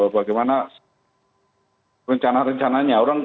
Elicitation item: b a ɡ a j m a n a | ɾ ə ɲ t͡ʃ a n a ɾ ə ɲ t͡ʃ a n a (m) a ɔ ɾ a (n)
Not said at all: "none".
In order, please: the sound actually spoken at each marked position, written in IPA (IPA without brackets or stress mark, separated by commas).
ɲ, ŋ